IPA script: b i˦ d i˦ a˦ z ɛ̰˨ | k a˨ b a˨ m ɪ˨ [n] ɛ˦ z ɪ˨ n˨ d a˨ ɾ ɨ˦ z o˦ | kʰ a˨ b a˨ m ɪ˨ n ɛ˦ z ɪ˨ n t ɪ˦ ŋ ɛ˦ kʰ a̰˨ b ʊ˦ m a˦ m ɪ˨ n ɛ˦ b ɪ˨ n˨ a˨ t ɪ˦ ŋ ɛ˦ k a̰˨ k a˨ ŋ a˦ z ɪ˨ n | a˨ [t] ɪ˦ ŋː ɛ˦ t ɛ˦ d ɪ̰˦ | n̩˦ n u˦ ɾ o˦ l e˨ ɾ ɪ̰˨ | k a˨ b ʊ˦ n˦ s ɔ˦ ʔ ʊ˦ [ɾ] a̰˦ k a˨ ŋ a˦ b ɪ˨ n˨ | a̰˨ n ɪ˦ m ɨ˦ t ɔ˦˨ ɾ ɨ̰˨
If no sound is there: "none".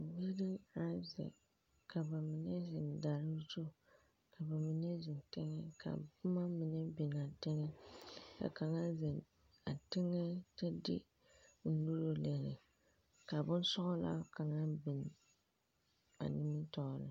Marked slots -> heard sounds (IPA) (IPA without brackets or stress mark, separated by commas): n, t, l